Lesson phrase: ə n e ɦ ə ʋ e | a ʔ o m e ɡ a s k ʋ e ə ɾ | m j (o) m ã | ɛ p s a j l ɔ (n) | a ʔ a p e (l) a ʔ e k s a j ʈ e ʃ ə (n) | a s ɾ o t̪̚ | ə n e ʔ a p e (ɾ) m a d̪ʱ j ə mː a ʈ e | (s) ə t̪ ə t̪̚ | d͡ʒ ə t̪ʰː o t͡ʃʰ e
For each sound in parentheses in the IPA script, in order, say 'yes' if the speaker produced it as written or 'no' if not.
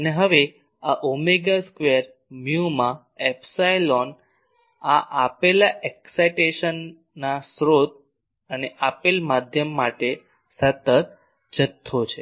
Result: no, yes, yes, no, no, yes

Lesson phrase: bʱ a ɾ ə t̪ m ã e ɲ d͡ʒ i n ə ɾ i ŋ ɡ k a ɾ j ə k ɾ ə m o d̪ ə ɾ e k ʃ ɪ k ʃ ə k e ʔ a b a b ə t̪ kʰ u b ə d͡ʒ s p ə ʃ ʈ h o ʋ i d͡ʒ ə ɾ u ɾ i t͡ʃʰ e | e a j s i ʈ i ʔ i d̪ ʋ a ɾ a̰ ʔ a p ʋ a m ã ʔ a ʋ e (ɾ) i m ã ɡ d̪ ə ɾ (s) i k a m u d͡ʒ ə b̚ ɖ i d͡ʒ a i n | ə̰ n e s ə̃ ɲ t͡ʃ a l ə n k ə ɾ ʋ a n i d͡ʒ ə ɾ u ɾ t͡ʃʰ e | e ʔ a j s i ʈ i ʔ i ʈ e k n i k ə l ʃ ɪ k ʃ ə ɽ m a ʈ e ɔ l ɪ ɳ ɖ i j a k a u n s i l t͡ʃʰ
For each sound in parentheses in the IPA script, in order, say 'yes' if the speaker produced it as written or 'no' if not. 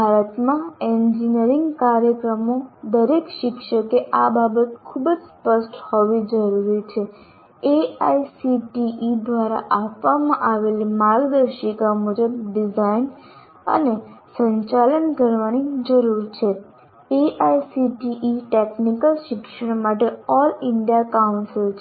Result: no, no

